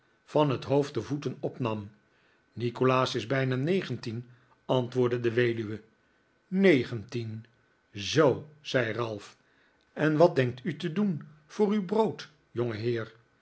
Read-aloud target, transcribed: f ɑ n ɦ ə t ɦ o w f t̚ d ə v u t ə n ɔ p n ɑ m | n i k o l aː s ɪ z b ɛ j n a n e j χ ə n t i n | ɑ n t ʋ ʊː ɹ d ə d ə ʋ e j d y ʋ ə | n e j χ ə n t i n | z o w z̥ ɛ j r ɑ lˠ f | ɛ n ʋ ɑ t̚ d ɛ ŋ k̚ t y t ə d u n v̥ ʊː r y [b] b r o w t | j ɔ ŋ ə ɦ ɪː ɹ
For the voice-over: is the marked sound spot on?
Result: no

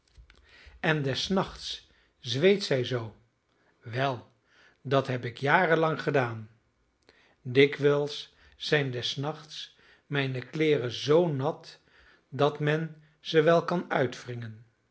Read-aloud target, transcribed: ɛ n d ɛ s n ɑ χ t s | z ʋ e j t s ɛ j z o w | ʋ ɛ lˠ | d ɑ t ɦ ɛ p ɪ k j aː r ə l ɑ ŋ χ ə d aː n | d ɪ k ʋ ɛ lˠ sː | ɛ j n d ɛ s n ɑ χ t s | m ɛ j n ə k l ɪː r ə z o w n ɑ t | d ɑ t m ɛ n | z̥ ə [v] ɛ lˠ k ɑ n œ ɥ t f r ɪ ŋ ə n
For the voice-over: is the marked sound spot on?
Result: no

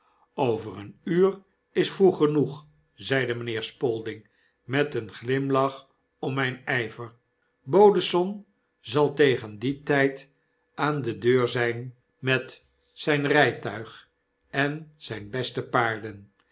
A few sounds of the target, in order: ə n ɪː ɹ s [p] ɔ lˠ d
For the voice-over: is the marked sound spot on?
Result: yes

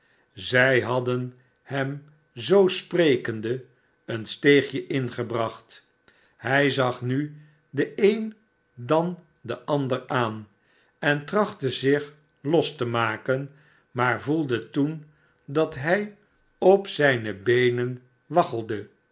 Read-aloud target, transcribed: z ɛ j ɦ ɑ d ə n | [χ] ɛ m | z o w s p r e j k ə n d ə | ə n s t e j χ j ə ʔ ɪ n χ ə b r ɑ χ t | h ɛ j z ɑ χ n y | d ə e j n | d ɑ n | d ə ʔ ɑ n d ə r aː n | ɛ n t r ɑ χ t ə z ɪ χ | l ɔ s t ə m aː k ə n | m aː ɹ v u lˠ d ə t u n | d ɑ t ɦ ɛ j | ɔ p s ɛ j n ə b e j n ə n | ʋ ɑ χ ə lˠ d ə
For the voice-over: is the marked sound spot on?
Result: no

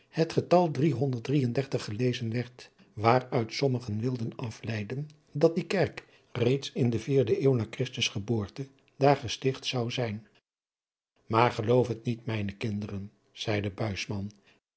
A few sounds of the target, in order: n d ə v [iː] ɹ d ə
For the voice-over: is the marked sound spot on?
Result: yes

